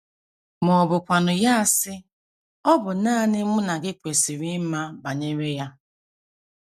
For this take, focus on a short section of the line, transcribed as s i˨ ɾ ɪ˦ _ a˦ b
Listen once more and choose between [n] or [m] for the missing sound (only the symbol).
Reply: m